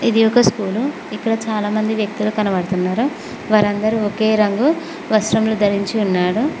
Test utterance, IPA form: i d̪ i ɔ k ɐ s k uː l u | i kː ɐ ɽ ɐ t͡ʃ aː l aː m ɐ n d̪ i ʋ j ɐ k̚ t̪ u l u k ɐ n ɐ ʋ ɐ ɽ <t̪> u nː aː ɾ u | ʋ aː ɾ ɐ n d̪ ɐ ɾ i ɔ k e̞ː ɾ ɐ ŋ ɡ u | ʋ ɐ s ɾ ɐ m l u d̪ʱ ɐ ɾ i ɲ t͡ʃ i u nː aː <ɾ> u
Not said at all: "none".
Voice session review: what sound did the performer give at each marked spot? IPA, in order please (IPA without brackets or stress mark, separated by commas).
t̪, ɽ